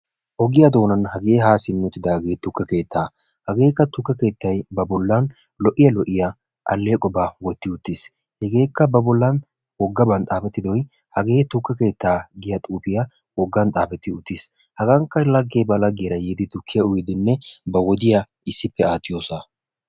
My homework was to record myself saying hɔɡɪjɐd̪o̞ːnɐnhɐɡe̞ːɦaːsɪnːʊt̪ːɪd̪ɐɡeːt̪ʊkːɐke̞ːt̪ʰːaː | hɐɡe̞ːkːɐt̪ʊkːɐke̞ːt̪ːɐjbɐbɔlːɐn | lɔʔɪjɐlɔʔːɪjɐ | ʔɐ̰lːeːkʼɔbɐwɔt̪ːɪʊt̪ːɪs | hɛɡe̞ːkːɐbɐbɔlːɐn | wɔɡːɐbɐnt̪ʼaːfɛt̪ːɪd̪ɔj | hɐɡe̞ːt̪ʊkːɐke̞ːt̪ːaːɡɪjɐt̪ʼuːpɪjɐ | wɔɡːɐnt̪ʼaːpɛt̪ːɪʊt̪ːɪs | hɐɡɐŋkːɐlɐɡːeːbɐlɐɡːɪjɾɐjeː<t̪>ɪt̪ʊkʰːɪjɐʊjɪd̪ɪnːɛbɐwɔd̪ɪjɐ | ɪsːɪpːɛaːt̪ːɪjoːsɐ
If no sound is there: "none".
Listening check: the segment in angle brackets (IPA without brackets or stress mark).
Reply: d̪